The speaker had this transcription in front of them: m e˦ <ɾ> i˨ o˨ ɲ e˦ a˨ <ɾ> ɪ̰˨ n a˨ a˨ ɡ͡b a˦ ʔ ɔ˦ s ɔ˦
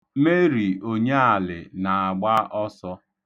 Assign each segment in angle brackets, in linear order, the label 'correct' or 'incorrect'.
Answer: correct, incorrect: l

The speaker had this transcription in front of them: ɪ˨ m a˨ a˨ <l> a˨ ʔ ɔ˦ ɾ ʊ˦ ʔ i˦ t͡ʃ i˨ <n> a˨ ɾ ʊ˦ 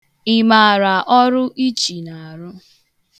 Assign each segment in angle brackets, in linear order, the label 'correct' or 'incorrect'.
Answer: incorrect: ɾ, correct

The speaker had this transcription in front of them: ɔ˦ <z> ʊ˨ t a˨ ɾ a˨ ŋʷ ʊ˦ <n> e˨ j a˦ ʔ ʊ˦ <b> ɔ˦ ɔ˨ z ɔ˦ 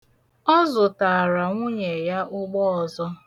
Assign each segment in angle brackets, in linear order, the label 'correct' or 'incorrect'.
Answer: correct, incorrect: ɲ, incorrect: ɡ͡b

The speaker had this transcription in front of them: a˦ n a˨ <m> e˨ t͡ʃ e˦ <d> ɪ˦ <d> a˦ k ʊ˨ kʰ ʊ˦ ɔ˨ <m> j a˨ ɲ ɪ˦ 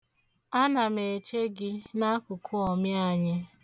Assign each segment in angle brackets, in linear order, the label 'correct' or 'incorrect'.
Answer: correct, incorrect: ɡ, incorrect: n, correct

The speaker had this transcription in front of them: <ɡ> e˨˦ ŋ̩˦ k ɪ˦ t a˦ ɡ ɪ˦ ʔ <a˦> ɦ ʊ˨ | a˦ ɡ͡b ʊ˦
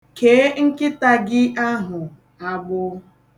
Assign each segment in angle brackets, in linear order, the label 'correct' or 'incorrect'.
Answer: incorrect: k, correct

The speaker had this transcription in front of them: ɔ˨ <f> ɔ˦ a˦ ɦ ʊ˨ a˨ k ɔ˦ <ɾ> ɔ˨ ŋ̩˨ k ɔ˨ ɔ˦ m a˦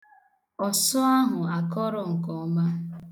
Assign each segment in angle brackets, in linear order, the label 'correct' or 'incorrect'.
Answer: incorrect: s, correct

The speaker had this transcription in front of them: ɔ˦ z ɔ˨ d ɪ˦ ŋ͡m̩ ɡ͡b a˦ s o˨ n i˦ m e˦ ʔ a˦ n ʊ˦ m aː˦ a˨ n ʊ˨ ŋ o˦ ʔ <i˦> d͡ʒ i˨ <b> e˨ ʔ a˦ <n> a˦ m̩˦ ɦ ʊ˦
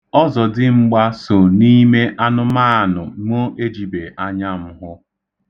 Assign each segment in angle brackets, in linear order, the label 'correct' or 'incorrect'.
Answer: incorrect: e˦, correct, incorrect: ɲ

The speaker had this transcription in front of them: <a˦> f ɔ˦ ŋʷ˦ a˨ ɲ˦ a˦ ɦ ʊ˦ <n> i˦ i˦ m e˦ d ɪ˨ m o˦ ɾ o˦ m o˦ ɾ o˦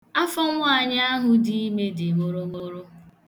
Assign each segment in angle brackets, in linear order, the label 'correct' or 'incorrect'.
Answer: correct, incorrect: d

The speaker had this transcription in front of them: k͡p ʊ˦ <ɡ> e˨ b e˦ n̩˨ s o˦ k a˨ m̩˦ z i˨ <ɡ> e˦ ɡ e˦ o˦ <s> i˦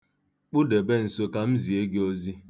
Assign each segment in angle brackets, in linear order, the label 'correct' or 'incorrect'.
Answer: incorrect: d, incorrect: none, incorrect: z

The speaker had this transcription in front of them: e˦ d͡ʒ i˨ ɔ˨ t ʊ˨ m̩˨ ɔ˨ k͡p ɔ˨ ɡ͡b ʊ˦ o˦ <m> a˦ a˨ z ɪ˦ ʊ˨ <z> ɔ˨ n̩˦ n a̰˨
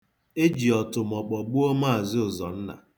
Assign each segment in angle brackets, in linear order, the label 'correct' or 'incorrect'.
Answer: correct, correct

